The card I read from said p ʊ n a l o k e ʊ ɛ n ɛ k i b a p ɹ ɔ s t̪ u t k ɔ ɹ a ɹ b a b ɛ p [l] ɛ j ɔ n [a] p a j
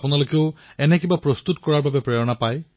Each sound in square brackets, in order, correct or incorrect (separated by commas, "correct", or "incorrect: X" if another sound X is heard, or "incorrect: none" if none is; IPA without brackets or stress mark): incorrect: ɹ, correct